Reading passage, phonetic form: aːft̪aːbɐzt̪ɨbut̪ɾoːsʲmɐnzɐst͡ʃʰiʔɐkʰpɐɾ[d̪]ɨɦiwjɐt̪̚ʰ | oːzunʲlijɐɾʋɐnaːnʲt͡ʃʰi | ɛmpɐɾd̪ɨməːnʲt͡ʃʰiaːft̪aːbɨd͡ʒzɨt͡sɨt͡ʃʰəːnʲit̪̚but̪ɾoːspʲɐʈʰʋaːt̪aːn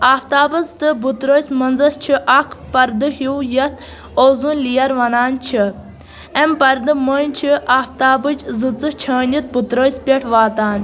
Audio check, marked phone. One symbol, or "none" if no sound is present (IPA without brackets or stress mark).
d̪